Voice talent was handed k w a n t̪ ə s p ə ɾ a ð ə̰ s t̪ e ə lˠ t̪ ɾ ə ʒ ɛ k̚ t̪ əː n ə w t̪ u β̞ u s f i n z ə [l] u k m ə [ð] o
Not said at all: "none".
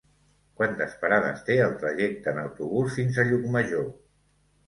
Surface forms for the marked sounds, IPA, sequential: ʎ, ʒ

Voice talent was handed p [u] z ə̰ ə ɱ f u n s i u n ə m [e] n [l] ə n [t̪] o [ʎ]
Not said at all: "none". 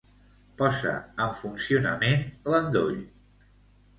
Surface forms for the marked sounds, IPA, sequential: ɔ, e, l, d̪, ʎ

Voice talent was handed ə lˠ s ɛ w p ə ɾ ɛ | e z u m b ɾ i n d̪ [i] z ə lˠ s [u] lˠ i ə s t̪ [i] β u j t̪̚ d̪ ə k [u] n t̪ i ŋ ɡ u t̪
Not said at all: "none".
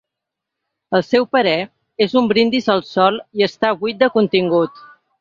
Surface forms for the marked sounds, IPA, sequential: i, ɔ, a, u

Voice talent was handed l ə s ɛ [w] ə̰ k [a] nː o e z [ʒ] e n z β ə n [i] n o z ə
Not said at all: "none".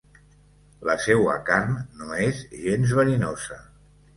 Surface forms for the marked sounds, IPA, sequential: w, a, ʒ, i

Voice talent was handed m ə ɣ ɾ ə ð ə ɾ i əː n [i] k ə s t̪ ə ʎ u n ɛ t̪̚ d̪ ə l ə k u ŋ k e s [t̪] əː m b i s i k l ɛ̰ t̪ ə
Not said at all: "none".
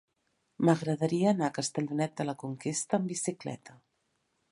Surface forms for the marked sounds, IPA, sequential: a, t̪

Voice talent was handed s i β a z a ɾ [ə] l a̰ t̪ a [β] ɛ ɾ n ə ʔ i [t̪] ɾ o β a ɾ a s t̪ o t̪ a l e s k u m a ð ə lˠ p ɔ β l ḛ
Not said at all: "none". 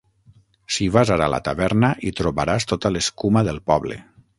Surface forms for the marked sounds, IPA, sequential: a, β, t̪

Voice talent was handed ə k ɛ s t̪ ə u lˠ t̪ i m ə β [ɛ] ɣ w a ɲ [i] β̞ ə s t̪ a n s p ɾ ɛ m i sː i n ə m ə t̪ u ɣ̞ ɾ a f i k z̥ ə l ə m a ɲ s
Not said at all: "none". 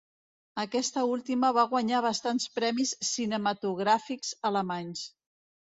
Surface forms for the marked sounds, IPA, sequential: a, a

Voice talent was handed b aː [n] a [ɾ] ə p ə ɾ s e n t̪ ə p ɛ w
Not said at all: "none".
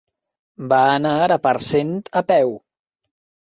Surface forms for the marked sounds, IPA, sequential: n, ɾ

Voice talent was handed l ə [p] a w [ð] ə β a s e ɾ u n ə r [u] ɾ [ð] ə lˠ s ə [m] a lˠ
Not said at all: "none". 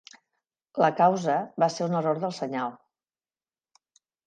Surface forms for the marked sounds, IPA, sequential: k, z, o, ð, ɲ

